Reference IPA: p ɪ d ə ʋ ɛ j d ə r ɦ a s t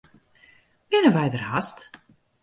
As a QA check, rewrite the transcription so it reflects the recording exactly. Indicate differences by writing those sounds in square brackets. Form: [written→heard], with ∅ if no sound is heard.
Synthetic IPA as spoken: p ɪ [d→n] ə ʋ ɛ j d ə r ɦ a s t